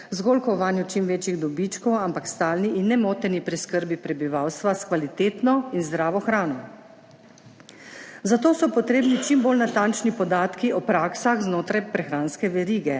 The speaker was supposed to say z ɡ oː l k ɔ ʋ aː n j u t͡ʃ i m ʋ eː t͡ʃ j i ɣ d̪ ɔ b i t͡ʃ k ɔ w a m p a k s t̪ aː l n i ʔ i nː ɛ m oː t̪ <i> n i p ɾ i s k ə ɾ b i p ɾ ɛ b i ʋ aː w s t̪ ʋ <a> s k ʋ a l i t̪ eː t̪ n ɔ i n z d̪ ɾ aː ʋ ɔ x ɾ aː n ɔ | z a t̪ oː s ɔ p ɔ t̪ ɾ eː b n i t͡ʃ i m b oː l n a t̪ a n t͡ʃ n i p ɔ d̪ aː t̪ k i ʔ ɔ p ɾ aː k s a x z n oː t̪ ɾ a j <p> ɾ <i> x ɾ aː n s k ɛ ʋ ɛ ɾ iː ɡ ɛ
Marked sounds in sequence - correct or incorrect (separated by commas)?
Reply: incorrect, correct, correct, incorrect